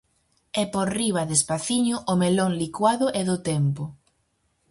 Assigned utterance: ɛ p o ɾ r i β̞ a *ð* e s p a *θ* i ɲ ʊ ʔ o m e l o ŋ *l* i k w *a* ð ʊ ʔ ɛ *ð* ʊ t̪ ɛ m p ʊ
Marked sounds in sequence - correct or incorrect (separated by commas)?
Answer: correct, correct, correct, correct, correct